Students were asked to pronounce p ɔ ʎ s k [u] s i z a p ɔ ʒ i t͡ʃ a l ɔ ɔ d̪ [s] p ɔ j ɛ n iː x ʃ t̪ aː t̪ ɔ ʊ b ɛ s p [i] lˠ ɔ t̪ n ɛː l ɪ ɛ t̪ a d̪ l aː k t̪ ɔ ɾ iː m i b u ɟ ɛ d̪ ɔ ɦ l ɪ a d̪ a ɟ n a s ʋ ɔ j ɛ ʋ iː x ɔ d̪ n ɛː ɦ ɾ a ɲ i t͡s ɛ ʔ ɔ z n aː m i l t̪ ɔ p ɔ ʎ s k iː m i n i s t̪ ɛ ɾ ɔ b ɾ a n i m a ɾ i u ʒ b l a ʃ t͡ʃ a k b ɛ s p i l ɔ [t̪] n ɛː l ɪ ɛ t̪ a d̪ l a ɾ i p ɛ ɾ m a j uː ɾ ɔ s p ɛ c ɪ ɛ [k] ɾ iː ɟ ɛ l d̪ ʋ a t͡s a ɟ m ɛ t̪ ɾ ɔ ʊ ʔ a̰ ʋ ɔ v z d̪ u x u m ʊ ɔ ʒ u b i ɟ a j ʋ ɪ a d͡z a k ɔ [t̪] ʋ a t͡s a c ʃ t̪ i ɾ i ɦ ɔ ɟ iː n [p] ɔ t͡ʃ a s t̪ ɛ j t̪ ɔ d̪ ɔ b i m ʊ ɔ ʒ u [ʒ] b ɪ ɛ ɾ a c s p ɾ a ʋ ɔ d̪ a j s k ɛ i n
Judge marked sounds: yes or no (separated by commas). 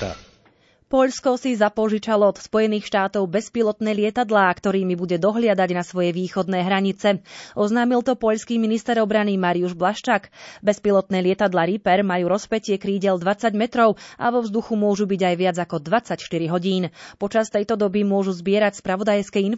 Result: no, yes, yes, yes, yes, no, yes, no